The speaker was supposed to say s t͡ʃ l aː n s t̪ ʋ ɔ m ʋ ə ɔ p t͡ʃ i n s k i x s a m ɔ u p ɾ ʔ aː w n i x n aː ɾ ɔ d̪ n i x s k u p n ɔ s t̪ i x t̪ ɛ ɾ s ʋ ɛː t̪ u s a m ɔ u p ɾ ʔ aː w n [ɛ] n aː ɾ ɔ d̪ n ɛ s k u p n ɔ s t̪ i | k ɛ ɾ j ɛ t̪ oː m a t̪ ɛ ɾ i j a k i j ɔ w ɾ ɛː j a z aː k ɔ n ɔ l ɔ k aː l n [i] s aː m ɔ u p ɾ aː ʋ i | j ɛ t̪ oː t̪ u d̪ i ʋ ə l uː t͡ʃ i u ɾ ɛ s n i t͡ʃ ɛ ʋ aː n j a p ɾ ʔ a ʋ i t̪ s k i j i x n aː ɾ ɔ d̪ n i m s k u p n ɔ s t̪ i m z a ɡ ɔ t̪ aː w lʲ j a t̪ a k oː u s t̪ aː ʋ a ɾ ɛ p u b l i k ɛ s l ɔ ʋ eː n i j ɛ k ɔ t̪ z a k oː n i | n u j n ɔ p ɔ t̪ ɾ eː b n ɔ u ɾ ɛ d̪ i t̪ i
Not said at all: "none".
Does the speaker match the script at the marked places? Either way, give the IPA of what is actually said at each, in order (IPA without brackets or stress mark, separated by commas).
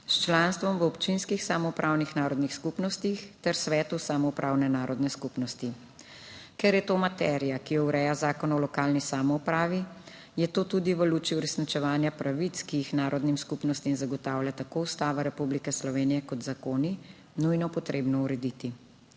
ɛ, i